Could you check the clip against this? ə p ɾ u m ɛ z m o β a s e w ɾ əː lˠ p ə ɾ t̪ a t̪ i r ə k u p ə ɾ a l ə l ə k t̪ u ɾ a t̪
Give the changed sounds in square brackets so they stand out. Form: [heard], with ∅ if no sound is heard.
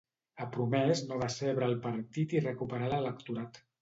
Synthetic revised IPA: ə p ɾ u m ɛ z [n] o β a s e [β] ɾ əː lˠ p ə ɾ t̪ [i] t̪ i r ə k u p ə ɾ a l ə l ə k t̪ u ɾ a t̪